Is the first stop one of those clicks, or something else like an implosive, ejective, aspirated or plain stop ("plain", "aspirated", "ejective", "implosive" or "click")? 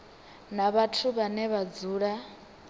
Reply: aspirated